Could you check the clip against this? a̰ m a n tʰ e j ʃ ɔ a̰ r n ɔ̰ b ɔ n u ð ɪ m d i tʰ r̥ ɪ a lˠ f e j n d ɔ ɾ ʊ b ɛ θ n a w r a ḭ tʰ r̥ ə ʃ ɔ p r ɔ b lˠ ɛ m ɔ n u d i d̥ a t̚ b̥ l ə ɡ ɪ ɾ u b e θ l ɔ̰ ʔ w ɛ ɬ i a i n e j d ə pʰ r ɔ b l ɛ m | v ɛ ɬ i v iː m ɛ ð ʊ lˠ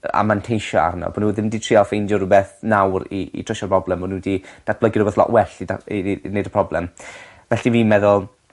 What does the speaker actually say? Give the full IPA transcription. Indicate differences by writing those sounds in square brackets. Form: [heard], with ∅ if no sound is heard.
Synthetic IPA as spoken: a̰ m a n tʰ e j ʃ ɔ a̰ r n ɔ̰ b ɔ n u ð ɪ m d i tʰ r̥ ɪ a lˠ f e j n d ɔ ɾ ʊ b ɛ θ n a w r [i] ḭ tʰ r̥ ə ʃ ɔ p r ɔ b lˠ ɛ m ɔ n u d i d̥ a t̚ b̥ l ə ɡ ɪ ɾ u b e θ l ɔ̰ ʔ w ɛ ɬ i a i n e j d ə pʰ r ɔ b l ɛ m | v ɛ ɬ i v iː m ɛ ð ʊ lˠ